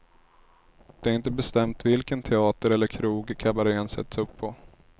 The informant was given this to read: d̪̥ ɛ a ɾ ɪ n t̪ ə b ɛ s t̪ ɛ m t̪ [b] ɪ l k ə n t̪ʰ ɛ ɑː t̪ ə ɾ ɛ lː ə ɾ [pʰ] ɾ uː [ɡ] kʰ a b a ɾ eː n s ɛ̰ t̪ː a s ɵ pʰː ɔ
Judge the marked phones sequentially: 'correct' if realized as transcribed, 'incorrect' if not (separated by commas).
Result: incorrect, incorrect, correct